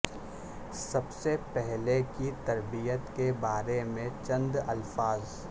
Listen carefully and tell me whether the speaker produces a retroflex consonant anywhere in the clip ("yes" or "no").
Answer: no